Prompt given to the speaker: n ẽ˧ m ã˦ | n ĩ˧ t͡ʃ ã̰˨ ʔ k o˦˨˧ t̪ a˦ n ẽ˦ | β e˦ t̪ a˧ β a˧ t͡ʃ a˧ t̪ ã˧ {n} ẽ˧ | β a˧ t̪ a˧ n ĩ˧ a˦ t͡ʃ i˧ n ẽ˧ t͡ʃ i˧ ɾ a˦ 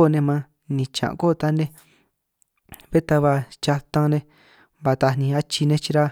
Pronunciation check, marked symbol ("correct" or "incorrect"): correct